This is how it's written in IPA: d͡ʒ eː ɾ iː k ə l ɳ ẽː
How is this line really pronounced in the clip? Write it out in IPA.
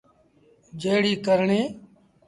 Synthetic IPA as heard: d͡ʒ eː ɽ iː k ə ɾ ɳ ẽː